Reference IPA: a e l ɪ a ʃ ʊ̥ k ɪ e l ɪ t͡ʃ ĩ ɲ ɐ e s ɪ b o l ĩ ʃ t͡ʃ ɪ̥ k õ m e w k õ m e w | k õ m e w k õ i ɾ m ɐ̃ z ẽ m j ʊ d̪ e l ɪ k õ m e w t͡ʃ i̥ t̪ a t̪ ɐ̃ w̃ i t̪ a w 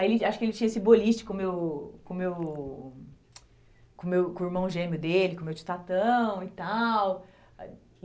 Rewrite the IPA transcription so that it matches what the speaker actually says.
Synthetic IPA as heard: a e l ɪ a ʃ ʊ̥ k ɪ e l ɪ t͡ʃ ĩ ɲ ɐ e s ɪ b o l i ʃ t͡ʃ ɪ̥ k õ m e w k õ m e w | k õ m e w k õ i ɾ m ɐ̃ ʒ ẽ m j ʊ d̪ e l ɪ k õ m e w t͡ʃ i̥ t̪ a t̪ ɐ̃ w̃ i t̪ a w